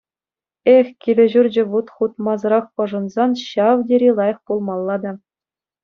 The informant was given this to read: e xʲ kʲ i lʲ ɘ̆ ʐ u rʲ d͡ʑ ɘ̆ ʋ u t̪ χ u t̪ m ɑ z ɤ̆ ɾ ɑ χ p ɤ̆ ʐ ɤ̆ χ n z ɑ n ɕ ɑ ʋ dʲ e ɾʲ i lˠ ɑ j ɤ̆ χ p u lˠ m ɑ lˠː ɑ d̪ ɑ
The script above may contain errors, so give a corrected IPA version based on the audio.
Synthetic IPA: e xʲ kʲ i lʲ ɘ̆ ʑ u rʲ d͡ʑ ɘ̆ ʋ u t̪ χ u t̪ m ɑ z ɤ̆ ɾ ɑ χ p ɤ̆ ʐ ɤ̆ n z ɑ n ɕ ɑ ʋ dʲ e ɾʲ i lˠ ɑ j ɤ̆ χ p u lˠ m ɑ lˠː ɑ d̪ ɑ